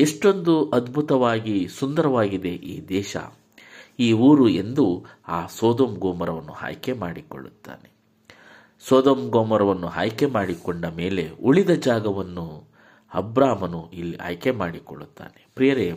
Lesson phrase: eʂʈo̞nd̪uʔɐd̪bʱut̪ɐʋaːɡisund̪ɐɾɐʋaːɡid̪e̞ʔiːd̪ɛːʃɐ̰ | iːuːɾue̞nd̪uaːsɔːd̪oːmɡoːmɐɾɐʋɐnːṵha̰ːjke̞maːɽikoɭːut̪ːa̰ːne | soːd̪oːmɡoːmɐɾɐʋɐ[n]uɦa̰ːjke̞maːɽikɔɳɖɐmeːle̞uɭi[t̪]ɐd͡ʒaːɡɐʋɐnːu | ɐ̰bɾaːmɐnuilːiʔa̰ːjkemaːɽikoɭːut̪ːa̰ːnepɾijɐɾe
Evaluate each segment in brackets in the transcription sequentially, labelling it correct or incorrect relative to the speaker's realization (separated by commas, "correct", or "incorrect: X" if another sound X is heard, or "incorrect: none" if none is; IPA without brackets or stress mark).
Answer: incorrect: nː, incorrect: d̪